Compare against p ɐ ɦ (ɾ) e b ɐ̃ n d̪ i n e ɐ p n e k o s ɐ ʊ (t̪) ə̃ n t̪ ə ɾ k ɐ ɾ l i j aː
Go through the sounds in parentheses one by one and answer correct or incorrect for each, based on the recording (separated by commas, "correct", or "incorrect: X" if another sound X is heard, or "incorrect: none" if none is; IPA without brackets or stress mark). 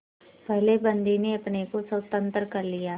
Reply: incorrect: l, correct